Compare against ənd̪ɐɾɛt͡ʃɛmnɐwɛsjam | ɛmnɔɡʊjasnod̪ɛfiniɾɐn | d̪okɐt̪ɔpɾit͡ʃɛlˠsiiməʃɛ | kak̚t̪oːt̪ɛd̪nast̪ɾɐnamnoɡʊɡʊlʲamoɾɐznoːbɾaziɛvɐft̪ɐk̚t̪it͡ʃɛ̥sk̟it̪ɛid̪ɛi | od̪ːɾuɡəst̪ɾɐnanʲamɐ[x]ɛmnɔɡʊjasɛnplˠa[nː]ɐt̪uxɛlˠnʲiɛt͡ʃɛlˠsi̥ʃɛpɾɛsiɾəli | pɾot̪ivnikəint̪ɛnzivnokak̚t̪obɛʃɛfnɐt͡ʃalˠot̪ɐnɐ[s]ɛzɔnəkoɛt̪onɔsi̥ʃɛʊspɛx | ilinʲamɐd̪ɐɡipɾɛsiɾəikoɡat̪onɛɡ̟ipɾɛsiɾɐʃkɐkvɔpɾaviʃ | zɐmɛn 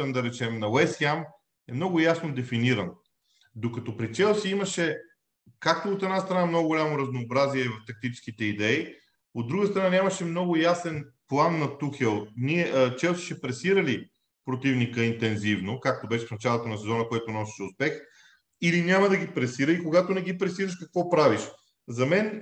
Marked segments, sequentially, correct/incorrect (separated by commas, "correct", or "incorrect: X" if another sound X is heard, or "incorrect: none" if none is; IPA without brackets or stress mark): incorrect: ʃ, correct, correct